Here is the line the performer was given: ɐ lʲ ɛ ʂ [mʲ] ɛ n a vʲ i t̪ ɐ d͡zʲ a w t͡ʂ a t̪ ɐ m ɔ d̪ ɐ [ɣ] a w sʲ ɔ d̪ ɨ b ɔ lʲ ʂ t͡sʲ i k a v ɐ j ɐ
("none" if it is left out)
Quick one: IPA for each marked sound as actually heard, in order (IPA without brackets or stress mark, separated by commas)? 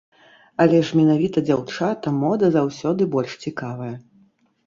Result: mʲ, z